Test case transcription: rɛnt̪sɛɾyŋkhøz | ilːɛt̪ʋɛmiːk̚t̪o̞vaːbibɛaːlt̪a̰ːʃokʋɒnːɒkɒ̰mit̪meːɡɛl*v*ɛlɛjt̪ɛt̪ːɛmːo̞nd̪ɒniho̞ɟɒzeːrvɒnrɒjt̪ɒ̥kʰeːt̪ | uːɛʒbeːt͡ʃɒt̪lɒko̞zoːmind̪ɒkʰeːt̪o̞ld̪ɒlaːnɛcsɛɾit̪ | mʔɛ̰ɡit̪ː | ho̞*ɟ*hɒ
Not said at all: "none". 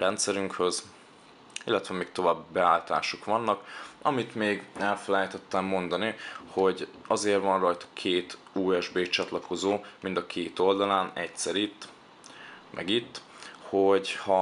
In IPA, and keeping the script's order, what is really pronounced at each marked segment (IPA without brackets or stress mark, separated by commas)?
f, ɟ